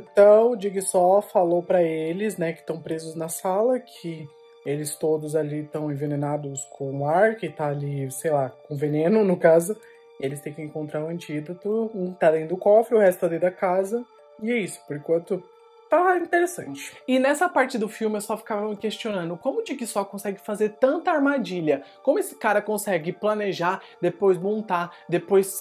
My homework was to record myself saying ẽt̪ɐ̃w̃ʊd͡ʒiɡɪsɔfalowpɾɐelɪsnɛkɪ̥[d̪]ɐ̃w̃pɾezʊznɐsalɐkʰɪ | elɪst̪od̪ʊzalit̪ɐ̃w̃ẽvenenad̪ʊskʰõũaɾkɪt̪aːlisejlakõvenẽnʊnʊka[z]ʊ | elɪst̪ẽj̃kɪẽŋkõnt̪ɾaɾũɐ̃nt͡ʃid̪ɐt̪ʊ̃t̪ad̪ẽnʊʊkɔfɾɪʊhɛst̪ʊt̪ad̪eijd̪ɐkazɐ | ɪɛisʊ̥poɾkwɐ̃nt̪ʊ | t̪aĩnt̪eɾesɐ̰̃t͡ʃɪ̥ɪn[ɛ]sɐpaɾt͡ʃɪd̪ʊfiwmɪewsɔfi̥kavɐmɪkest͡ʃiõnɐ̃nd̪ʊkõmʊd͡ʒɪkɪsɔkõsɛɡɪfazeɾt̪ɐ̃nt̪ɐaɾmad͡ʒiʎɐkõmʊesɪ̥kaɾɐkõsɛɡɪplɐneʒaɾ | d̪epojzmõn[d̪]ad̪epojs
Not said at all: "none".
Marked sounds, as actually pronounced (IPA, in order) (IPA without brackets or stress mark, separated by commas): t̪, z, ɛ, t̪